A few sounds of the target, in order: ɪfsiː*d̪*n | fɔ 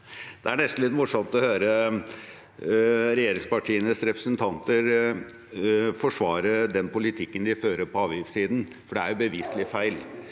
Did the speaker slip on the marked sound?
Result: no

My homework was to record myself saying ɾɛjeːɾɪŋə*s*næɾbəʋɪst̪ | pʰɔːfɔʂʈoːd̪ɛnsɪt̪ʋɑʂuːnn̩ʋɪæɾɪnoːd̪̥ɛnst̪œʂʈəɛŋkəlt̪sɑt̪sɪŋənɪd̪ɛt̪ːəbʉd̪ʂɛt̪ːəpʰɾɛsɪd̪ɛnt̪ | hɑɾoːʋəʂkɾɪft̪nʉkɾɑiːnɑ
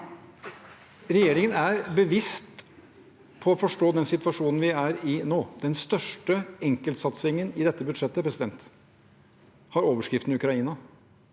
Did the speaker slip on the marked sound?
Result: yes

